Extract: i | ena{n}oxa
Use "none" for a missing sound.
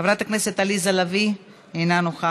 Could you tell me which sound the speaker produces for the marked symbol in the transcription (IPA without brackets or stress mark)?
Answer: n